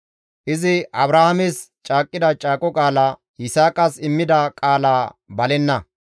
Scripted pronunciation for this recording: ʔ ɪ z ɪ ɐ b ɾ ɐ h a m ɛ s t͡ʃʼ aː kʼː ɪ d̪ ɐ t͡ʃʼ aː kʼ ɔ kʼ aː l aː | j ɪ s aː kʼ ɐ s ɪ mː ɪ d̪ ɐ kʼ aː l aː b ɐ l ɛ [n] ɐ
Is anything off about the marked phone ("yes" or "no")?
yes